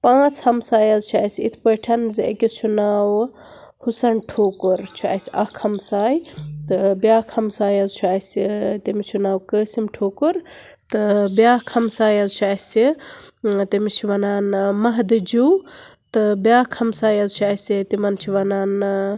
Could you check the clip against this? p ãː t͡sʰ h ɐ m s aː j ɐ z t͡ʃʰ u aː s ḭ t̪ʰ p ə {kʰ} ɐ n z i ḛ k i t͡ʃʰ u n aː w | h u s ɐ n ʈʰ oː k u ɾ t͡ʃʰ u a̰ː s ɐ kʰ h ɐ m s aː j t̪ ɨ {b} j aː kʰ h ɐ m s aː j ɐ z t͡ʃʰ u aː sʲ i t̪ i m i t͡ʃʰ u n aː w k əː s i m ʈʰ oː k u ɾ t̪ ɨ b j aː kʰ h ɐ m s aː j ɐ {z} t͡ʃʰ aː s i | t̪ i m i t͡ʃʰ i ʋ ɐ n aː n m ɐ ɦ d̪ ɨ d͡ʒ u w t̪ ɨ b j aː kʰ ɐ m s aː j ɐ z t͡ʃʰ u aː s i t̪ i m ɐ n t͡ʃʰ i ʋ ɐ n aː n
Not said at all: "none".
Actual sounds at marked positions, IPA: ʈʰ, b, z

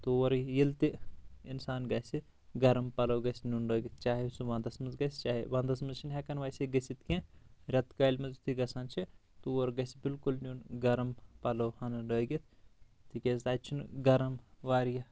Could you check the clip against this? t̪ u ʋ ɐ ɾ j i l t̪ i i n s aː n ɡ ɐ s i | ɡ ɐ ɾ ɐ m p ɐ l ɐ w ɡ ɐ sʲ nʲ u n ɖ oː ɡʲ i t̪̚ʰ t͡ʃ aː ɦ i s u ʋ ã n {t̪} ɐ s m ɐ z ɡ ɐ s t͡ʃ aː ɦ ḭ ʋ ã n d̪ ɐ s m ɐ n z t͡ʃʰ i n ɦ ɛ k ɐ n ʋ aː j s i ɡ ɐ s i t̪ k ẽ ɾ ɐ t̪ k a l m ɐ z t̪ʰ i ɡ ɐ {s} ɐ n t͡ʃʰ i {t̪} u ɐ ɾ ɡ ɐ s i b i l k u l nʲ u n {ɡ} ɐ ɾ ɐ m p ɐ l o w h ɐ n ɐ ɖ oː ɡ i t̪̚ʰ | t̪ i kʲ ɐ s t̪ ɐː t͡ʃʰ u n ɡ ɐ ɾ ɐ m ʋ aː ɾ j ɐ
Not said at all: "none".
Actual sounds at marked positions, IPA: d̪, s, t̪, ɡ

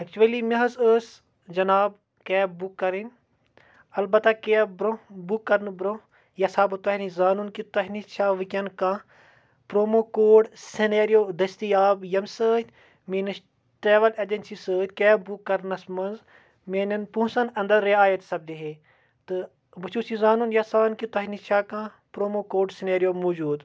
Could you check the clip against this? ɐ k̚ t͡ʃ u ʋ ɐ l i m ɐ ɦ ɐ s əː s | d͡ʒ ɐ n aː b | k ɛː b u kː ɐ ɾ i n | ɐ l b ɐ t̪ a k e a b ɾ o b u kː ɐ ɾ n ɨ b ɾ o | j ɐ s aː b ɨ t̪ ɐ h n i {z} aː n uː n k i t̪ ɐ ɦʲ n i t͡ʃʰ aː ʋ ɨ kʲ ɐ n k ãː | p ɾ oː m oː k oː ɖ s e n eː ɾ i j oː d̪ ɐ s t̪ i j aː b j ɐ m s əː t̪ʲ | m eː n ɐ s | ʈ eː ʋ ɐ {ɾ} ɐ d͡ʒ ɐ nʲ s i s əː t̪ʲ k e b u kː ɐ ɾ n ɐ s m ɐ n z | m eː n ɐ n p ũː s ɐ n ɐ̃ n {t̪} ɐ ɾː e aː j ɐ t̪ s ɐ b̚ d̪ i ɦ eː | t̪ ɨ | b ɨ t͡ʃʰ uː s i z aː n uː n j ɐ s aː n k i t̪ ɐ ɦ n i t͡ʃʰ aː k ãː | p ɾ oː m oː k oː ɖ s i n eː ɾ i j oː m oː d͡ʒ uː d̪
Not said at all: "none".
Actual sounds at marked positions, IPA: z, l, d̪

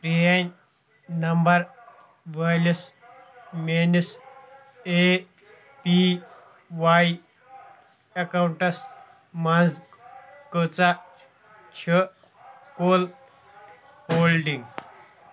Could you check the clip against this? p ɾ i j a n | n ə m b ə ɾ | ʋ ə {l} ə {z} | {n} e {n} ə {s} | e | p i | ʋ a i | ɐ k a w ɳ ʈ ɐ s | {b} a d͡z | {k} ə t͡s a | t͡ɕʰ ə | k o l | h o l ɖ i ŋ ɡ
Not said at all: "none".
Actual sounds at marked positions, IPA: l, s, m, n, s, m, k

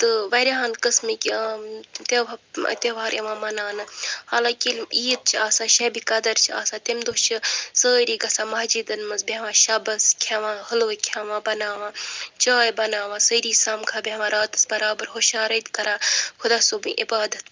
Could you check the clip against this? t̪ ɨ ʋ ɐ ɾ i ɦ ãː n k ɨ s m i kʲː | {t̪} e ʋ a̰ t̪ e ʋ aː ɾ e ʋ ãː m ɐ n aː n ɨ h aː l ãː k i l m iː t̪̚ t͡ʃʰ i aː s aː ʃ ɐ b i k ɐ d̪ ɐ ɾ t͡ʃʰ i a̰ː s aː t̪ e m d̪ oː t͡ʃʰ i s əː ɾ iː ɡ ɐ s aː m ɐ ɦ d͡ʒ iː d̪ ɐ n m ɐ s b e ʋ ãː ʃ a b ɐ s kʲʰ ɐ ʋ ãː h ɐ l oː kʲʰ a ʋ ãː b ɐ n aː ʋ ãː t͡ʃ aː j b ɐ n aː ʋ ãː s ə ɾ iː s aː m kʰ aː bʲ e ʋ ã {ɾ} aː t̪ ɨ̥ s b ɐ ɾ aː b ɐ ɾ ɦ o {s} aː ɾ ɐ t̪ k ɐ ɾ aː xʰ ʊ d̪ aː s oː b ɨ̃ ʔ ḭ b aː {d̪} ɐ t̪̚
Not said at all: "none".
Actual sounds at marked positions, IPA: t̪, ɾ, ʃ, d̪

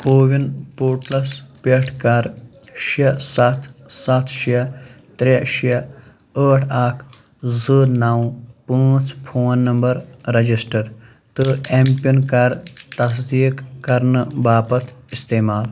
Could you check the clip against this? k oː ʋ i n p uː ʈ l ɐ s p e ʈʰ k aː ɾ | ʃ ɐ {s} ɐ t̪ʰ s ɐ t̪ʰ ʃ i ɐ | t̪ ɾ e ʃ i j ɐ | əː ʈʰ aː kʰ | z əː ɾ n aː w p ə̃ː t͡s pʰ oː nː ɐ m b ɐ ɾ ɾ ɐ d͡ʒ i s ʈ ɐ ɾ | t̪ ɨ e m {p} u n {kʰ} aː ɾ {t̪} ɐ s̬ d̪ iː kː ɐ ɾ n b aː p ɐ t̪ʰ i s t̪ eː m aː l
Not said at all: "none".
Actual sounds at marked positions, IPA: s, p, k, t̪

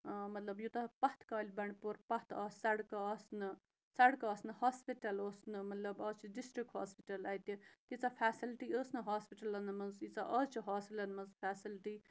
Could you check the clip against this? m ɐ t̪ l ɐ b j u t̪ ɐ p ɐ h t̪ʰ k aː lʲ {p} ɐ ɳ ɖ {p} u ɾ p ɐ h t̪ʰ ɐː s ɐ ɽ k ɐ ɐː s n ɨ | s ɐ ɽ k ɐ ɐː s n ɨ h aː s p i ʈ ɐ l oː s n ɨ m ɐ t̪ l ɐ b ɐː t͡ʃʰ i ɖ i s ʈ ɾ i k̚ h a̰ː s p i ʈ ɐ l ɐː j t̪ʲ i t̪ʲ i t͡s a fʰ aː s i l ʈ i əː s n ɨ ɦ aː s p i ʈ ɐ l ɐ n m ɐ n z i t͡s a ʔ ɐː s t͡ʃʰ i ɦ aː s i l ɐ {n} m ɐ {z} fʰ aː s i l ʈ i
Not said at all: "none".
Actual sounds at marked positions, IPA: b, p, n, z

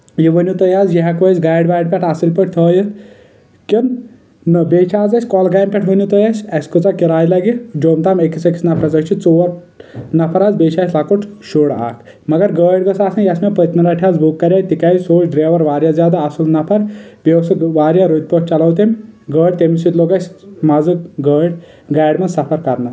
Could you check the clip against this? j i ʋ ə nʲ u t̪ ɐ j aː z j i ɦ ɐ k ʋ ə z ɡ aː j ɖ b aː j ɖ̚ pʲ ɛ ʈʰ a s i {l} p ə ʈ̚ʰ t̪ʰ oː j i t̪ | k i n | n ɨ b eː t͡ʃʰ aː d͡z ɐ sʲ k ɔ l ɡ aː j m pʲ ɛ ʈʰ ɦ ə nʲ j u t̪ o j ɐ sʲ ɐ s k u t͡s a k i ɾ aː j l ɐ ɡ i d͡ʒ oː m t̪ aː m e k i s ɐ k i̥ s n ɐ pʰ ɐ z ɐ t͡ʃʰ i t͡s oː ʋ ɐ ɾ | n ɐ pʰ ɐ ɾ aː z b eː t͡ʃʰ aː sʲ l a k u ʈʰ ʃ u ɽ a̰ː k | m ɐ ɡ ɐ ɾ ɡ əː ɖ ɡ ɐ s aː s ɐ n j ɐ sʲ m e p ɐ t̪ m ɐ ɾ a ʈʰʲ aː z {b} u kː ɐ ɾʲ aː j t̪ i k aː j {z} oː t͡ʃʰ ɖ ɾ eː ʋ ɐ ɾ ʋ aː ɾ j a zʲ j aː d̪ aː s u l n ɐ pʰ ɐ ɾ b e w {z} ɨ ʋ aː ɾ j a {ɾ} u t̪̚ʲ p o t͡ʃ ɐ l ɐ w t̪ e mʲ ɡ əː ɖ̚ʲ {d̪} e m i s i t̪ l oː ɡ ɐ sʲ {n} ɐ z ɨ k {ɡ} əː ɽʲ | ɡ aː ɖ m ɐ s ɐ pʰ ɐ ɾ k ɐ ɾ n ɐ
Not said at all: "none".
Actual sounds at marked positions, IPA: l, b, s, s, ɾ, t̪, m, ɡ

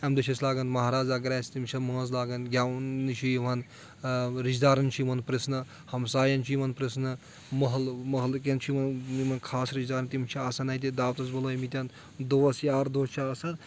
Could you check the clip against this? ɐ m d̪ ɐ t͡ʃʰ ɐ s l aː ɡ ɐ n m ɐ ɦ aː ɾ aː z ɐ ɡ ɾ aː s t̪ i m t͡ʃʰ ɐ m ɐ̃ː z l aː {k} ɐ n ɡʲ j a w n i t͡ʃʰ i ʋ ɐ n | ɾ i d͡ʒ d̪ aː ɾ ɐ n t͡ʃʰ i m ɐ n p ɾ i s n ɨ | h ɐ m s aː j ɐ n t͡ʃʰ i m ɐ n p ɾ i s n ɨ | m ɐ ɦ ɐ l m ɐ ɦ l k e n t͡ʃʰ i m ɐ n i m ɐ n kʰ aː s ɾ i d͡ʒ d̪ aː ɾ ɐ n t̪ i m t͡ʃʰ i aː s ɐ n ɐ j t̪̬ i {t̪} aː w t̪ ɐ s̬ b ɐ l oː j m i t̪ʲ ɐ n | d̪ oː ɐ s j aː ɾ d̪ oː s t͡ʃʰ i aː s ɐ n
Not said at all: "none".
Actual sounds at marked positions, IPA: ɡ, d̪

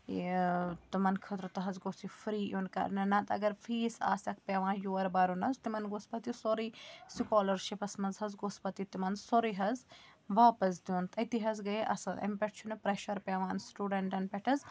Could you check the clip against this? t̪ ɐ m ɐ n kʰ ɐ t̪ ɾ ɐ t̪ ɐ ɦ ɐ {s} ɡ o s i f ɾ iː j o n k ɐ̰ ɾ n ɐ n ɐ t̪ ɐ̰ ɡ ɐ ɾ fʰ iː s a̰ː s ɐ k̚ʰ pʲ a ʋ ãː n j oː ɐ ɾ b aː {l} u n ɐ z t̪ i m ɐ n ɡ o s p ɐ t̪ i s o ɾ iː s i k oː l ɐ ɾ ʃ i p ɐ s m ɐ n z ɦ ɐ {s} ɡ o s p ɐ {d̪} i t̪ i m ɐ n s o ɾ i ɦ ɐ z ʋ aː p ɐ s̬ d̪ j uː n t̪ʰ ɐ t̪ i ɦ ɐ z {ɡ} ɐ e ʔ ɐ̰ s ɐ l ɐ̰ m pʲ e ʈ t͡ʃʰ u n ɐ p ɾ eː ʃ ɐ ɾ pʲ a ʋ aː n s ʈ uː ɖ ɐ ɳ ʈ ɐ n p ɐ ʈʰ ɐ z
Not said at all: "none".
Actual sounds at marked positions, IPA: z, ɾ, z, t̪, ɡ

